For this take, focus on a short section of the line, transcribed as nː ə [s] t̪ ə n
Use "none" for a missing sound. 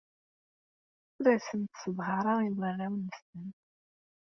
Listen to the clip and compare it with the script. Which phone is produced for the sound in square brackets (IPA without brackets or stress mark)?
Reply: s